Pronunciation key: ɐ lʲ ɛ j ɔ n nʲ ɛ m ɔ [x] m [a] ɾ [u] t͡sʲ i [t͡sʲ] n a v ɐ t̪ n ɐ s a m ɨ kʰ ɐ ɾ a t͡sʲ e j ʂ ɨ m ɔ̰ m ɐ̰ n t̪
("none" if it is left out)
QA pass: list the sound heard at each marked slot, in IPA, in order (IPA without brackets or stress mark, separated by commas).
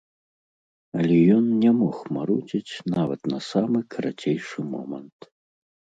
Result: x, a, u, t͡sʲ